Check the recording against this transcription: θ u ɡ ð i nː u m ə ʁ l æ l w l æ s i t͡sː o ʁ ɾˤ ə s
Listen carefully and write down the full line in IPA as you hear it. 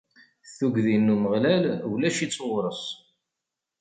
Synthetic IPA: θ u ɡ ð i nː u m ə ʁ l æ l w l æ ʃ i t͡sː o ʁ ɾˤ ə s